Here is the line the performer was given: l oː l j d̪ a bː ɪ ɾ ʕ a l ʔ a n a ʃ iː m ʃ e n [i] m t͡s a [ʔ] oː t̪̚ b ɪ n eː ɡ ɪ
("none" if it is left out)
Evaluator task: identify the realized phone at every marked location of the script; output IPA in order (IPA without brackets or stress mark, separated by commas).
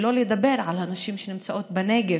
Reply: ɪ, ʔ